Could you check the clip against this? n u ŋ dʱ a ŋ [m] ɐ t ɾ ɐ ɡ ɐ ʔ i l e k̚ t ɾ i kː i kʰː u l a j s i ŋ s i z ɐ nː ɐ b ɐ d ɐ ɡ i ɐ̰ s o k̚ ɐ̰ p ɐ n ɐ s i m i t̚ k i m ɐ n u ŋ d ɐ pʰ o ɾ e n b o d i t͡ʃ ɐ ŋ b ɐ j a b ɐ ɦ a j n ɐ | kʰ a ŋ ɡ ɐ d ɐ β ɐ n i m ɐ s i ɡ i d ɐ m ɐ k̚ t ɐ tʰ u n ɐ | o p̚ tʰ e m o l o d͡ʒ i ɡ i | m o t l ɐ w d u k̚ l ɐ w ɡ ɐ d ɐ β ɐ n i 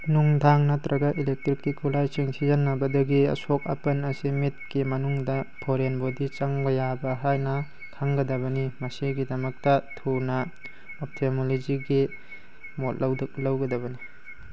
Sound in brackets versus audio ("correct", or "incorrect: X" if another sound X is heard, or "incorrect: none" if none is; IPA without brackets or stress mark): incorrect: n